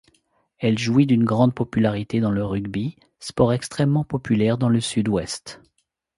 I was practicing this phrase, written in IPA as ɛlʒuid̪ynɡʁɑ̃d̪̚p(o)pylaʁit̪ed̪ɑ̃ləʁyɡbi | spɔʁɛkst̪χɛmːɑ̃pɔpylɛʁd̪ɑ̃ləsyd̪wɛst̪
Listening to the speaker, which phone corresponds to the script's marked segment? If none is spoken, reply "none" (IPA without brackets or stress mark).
ɔ